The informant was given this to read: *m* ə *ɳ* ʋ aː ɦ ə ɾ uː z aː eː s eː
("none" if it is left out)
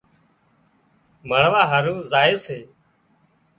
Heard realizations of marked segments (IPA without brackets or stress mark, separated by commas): m, ɳ